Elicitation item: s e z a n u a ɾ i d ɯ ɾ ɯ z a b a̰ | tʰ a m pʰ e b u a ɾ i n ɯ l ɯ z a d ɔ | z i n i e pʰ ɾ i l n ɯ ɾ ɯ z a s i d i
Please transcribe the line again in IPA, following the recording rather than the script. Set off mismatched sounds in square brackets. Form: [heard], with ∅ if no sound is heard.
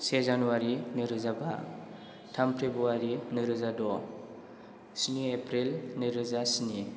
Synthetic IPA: s e z a n u a ɾ i [n] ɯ ɾ ɯ z a b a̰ | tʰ a m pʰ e b u a ɾ i n ɯ [ɾ] ɯ z a d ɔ | [s] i n i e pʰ ɾ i l n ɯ ɾ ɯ z a s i [n] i